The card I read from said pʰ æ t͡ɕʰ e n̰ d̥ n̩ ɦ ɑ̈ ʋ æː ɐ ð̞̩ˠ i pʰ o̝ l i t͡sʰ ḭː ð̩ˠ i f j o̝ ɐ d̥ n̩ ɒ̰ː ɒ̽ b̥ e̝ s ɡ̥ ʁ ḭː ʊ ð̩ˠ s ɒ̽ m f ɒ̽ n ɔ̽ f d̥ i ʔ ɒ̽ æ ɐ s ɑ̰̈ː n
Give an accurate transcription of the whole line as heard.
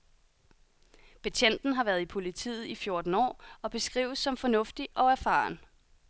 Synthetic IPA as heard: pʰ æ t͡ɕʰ e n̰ d̥ n̩ ɦ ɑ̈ ʋ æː ɐ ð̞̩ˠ i pʰ o̝ l i t͡sʰ ḭː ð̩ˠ i f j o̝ ɐ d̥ n̩ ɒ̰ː ɒ̽ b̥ e̝ s ɡ̥ ʁ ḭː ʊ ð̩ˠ s ɒ̽ m f ɒ̽ n ɔ̽ f d̥ i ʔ ɒ̽ æ ɐ f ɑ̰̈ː n

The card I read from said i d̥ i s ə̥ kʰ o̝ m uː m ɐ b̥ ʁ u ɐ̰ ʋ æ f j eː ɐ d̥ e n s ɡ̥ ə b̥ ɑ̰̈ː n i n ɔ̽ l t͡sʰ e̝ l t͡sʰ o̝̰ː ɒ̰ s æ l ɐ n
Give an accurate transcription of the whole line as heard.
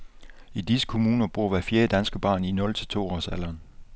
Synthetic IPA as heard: i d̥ i s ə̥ kʰ o̝ m uː n ɐ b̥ ʁ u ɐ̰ ʋ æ f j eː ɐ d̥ æ n s ɡ̥ ə b̥ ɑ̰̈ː n i n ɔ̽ l t͡sʰ e̝ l t͡sʰ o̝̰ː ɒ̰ s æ l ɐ n

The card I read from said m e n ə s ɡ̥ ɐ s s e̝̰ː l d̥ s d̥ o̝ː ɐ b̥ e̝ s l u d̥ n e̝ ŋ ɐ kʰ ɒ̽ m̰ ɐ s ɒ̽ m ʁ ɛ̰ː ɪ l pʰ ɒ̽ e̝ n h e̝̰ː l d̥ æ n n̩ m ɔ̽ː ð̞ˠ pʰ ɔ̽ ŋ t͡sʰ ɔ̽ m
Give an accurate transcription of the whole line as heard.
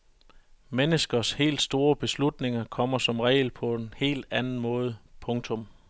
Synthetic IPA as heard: m e n ə s ɡ̥ ɐ s h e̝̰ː l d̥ s d̥ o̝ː ɐ b̥ e̝ s l u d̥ n e̝ ŋ ɐ kʰ ɒ̽ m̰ ɐ s ɒ̽ m ʁ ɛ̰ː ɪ l pʰ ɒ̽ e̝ n h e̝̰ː l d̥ æ n n̩ m ɔ̽ː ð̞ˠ pʰ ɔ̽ ŋ t͡sʰ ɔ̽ m

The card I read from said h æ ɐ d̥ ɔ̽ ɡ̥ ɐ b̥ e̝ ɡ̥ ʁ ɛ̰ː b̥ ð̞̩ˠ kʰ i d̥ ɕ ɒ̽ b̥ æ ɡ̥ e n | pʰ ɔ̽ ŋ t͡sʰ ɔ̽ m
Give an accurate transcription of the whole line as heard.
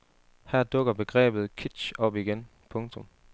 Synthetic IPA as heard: h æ ɐ d̥ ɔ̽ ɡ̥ ɐ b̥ e̝ ɡ̥ ʁ ɛ̰ː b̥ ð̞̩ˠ kʰ i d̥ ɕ ɒ̽ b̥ i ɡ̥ e n | pʰ ɔ̽ ŋ t͡sʰ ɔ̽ m

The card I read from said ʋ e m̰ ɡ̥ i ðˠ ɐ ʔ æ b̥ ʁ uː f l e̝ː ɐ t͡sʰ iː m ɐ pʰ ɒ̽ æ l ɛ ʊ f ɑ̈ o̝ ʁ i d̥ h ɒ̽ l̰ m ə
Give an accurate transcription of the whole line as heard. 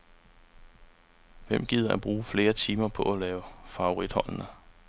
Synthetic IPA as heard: ʋ e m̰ ɡ̥ i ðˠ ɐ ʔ æ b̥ ʁ uː f l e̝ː ɐ t͡sʰ iː m ɐ pʰ ɒ̽ æ l ɛː ʊ f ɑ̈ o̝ ʁ i d̥ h ɒ̽ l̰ n ə

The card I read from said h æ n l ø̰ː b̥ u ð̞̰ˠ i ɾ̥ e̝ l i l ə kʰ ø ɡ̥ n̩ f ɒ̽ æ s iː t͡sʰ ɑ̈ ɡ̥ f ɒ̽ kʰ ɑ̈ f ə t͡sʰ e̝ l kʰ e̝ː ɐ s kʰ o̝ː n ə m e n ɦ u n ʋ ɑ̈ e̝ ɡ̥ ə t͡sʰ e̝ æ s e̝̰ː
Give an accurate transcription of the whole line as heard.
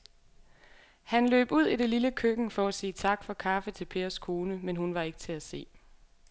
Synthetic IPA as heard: h æ n l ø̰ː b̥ u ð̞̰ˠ i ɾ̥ e̝ l i l ə kʰ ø ɡ̥ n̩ f ɒ̽ æ s iː t͡sʰ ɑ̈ ɡ̥ f ɒ̽ kʰ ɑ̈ f ə t͡sʰ e̝ l pʰ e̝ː ɐ s kʰ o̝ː n ə m e n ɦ u n ʋ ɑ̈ e̝ ɡ̥ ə t͡sʰ e̝ æ s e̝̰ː

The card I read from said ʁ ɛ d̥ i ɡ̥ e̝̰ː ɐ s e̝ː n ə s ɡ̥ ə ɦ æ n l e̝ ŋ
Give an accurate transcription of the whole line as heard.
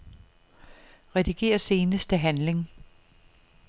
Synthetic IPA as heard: ʁ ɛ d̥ i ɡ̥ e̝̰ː ɐ s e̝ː n ə s d̥ ə ɦ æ n l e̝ ŋ

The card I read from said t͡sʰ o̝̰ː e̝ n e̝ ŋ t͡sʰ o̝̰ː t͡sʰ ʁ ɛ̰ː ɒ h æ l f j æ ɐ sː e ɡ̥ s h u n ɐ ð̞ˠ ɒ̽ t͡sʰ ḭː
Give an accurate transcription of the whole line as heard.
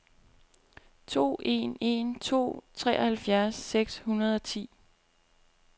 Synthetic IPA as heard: t͡sʰ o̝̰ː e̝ n e̝ n t͡sʰ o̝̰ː t͡sʰ ʁ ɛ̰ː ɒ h æ l f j æ ɐ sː e ɡ̥ s h u n ɐ ð̞ˠ ɒ̽ t͡sʰ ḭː

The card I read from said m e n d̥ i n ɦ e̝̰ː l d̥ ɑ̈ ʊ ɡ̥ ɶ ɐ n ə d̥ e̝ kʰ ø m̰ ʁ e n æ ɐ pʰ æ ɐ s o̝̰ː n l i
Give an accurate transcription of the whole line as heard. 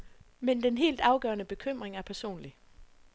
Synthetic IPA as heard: m e n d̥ e n ɦ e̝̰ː l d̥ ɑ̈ ʊ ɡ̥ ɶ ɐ n ə b̥ e̝ kʰ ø m̰ ʁ e ŋ æ ɐ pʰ æ ɐ s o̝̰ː n l i

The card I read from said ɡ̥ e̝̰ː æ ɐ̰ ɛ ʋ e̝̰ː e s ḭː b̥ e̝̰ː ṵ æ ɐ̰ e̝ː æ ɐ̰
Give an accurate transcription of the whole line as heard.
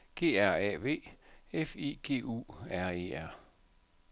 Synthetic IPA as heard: ɡ̥ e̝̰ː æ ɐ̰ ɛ ʋ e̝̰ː e f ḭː ɡ̥ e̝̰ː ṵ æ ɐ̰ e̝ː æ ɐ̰

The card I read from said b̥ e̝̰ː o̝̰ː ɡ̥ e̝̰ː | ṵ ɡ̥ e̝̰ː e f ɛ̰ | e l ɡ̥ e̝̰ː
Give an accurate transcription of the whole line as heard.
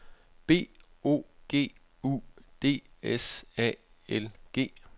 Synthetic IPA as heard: b̥ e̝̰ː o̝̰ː ɡ̥ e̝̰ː | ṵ d̥ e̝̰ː e s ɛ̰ | e l ɡ̥ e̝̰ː

